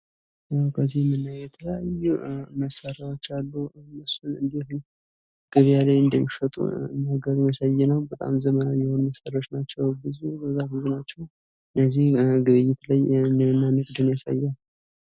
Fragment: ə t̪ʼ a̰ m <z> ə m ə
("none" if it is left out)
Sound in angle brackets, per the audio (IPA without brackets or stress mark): z